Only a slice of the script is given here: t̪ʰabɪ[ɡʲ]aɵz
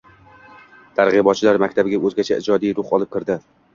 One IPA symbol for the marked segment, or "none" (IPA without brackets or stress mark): ɡʲ